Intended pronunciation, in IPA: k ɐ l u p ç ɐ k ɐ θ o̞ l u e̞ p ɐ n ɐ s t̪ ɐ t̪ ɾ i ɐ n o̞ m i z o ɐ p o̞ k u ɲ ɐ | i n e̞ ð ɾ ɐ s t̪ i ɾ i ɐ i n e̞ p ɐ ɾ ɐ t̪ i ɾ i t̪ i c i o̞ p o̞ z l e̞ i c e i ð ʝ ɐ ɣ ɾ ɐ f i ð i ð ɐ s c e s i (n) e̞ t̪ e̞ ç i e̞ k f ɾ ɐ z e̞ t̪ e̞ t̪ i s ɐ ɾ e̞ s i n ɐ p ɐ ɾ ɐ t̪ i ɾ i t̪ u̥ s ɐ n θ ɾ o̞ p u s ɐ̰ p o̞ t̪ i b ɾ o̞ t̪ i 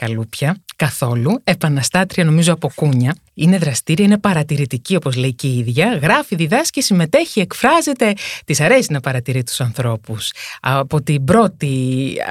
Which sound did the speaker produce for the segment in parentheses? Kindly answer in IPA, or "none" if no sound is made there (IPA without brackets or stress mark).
m